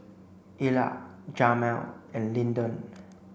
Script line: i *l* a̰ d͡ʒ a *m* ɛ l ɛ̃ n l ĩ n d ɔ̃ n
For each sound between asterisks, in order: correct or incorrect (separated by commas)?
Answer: correct, correct